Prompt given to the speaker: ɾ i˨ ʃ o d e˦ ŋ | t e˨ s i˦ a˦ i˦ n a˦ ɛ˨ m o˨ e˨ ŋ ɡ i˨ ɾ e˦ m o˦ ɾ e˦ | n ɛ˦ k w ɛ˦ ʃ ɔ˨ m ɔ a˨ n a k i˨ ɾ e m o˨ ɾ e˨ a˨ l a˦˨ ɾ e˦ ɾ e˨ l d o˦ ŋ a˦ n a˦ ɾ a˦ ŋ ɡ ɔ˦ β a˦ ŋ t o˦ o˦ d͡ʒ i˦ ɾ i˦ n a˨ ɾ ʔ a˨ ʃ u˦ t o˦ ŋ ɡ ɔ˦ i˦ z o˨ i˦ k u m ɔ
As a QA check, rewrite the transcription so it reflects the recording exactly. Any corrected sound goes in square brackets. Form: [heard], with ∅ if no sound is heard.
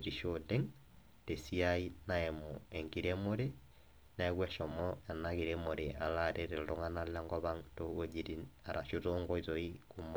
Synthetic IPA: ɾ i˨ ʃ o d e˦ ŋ | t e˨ s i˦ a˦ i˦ n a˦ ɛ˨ m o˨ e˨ ŋ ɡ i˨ ɾ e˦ m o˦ ɾ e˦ | n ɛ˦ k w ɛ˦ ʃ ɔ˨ m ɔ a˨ n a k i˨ ɾ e m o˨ ɾ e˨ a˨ l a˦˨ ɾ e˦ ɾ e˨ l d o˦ ŋ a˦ n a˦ [l] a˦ ŋ ɡ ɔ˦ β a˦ ŋ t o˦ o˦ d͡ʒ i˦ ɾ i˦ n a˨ ɾ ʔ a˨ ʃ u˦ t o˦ ŋ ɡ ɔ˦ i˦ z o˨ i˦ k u m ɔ